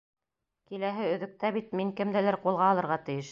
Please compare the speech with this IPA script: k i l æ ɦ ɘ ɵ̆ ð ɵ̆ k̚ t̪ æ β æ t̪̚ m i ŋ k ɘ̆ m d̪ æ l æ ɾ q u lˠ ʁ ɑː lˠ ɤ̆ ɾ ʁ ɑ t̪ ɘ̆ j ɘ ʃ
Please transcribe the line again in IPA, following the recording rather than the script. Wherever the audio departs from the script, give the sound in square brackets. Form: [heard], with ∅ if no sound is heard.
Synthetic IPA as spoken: k i l æ ɦ ɘ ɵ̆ ð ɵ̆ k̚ t̪ æ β [i] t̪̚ m i ŋ k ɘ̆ m d̪ æ l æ ɾ q u lˠ ʁ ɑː lˠ ɤ̆ ɾ ʁ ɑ t̪ ɘ̆ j ɘ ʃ